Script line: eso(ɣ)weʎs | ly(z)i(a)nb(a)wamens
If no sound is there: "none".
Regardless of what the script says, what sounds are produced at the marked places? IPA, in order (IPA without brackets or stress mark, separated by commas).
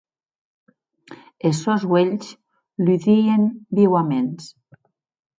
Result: z, ð, e, i